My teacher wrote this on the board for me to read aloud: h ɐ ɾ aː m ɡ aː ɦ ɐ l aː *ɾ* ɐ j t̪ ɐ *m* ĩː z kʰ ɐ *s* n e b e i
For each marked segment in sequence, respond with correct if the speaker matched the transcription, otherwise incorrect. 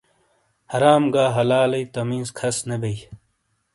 incorrect: l, correct, correct

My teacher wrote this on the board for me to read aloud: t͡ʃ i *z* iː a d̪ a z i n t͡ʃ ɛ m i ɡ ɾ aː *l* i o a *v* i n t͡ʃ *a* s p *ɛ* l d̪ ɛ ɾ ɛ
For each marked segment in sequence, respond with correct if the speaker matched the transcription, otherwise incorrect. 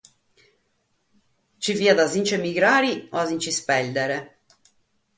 incorrect: v, incorrect: ɾ, incorrect: z, incorrect: i, correct

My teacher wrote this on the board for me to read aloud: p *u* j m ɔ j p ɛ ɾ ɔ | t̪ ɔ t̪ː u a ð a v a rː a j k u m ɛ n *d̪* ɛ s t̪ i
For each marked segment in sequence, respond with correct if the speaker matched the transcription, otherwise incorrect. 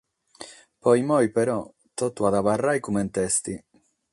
incorrect: ɔ, incorrect: t̪

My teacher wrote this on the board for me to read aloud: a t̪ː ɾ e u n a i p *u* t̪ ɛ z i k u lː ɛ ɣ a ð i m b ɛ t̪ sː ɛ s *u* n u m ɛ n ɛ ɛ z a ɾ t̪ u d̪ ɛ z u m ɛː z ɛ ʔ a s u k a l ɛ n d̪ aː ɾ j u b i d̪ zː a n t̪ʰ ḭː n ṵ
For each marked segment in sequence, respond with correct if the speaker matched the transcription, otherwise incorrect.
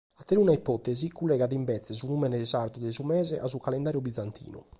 incorrect: ɔ, correct

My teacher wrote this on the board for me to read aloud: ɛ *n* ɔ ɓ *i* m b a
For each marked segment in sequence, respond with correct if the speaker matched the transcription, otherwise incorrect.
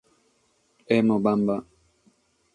incorrect: m, incorrect: a

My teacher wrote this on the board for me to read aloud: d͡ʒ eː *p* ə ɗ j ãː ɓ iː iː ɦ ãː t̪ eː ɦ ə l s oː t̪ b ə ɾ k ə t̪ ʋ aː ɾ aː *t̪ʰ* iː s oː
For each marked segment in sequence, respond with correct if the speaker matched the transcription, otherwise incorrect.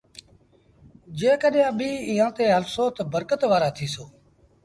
incorrect: k, correct

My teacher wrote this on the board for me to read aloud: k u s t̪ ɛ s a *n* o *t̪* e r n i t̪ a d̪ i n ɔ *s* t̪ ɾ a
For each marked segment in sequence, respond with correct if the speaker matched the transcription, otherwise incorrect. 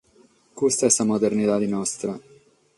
incorrect: m, incorrect: d̪, correct

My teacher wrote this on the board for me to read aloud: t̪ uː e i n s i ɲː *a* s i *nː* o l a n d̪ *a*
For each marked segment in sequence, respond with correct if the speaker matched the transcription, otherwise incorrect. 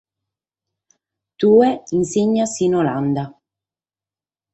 correct, incorrect: n, correct

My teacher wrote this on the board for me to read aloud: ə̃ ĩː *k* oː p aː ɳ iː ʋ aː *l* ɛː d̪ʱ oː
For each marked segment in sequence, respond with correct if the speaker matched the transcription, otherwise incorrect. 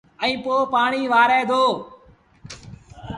incorrect: p, incorrect: ɾ

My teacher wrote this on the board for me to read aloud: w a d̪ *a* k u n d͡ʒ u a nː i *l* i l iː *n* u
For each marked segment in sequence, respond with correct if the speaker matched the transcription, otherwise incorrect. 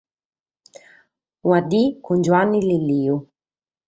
incorrect: i, correct, incorrect: none

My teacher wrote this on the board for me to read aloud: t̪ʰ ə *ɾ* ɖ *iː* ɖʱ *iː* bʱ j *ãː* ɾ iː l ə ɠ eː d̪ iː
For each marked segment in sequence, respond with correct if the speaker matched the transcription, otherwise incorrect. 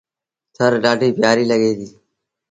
correct, incorrect: aː, correct, incorrect: aː

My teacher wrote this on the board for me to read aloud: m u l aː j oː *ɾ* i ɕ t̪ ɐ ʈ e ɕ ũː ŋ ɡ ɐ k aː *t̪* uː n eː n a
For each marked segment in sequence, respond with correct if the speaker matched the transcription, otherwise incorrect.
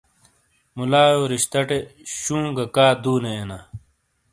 correct, incorrect: d̪

